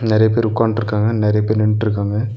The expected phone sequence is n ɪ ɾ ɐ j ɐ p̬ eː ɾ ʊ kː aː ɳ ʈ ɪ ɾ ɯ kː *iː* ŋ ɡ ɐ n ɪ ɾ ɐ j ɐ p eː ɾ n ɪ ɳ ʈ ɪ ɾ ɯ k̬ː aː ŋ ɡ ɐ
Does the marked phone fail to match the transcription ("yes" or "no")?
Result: yes